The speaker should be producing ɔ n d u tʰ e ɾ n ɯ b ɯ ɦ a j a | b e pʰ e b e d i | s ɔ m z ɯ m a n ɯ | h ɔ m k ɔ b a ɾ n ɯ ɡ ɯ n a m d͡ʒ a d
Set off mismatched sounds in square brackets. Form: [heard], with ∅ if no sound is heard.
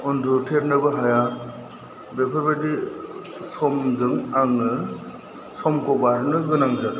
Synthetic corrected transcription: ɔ n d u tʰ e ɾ n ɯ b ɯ ɦ a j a | b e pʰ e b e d i | s ɔ m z ɯ [ŋ] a [ŋ] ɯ | [s] ɔ m k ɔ b a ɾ n ɯ ɡ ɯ n a [ŋ] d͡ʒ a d